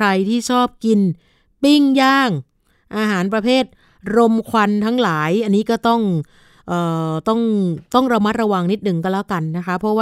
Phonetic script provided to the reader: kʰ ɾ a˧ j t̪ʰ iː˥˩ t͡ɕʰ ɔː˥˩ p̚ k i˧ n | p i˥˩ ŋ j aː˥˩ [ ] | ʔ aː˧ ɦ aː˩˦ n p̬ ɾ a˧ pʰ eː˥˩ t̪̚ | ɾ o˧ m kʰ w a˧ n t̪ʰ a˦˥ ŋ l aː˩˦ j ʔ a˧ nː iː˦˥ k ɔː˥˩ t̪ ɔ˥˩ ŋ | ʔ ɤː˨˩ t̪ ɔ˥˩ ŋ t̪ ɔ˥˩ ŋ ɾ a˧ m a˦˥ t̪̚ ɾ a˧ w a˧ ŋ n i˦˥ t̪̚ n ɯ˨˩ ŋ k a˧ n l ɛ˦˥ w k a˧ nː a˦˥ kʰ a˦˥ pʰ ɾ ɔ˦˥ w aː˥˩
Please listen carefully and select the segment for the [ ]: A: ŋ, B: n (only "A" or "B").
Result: A